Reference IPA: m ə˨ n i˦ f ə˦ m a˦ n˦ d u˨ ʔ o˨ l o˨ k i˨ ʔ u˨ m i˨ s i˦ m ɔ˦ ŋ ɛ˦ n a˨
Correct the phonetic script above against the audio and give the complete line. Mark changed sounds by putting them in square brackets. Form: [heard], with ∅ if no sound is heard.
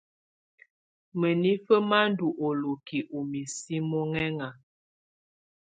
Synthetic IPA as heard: m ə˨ n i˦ f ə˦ m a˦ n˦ d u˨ ʔ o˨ l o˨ k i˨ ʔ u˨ m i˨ s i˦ m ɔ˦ ŋ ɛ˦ [ŋ] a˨